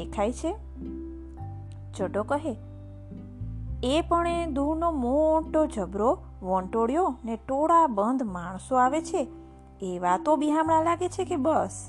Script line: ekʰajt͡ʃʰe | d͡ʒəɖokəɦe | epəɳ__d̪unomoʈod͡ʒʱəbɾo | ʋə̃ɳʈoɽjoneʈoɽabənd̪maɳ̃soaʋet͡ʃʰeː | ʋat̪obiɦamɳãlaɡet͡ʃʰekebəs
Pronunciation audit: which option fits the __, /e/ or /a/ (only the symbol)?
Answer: e